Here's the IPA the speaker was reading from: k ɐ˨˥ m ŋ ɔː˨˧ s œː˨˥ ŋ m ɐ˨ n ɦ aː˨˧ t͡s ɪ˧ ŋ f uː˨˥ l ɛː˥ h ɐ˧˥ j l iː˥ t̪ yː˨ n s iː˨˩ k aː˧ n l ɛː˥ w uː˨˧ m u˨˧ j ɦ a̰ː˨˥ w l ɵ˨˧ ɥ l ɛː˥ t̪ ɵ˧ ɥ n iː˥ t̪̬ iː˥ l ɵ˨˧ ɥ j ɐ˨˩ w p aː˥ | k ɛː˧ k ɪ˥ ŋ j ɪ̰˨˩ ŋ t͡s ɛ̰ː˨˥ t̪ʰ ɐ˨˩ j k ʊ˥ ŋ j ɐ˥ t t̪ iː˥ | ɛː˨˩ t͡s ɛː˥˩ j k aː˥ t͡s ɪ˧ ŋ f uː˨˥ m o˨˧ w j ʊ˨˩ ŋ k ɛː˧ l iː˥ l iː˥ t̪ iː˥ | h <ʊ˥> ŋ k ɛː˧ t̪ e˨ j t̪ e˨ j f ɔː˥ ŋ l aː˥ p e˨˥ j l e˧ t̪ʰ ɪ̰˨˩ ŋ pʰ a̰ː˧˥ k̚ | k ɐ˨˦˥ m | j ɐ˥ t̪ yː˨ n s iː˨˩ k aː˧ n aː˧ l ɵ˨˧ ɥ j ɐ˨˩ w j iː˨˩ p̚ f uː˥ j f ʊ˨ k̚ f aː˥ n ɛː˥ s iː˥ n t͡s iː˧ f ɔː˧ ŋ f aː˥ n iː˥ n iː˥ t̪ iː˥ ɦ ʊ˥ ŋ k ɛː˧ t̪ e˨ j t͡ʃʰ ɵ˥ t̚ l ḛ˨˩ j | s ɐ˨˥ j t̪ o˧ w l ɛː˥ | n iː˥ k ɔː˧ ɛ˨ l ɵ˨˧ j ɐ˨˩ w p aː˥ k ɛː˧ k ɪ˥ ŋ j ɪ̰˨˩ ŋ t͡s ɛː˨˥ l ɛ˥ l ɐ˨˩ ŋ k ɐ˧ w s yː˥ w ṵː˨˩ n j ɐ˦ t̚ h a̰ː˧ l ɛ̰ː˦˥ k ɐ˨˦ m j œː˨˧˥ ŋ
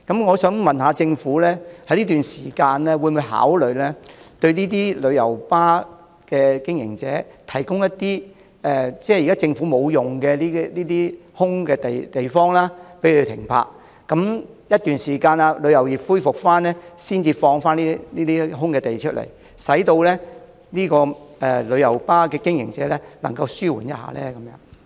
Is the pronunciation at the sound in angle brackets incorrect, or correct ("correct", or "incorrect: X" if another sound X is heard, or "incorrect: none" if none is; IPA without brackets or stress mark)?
correct